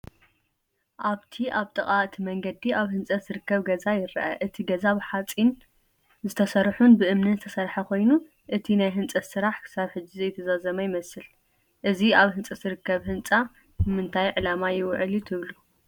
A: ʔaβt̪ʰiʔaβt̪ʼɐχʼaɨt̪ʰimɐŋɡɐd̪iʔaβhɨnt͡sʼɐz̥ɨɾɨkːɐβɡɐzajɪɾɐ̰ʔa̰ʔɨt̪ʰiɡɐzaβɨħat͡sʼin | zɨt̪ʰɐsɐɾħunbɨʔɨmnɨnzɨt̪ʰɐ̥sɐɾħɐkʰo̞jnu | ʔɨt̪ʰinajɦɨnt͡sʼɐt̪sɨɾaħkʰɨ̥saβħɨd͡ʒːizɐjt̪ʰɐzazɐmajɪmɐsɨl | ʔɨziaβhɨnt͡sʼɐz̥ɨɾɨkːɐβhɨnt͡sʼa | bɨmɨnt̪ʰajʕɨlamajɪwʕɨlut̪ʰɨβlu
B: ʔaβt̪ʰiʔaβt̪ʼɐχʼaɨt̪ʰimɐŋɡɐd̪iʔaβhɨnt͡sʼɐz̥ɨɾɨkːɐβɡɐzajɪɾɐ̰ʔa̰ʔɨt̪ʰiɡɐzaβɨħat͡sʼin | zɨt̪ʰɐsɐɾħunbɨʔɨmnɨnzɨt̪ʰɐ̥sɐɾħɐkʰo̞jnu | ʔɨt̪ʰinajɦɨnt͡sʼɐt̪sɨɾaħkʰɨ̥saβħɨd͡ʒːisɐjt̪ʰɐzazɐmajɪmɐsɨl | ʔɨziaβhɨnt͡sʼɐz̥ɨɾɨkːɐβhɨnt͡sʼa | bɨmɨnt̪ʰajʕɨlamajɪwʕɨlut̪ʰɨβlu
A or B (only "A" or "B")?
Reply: A